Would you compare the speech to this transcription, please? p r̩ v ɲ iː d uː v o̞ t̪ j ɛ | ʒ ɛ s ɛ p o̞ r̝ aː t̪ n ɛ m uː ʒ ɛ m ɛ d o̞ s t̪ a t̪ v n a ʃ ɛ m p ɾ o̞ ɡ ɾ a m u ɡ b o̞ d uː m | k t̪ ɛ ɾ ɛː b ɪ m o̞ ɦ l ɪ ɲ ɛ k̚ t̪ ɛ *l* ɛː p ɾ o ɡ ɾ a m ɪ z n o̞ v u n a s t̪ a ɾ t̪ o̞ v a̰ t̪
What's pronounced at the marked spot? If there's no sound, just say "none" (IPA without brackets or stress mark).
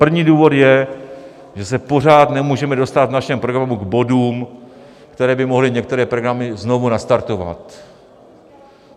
ɾ